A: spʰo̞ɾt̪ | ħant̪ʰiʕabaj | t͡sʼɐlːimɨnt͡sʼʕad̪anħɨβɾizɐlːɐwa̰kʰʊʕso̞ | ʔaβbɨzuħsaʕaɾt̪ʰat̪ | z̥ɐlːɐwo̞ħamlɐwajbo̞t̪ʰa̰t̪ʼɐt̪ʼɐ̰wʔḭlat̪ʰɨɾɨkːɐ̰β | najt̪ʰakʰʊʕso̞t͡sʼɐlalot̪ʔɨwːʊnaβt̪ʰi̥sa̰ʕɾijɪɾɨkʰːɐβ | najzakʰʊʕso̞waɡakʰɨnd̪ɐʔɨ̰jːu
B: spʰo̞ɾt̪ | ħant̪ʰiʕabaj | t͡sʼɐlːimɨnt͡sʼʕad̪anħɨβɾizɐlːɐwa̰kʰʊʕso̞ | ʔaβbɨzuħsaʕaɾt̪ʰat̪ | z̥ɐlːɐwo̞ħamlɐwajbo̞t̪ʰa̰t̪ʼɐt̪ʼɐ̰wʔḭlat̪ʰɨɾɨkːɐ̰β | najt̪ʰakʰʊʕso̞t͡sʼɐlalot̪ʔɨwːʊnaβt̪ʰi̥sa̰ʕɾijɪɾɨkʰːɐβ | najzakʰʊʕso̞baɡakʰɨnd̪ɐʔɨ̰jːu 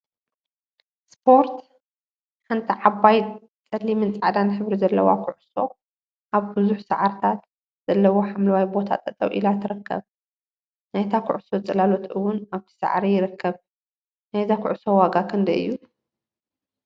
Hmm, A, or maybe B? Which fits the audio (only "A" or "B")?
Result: A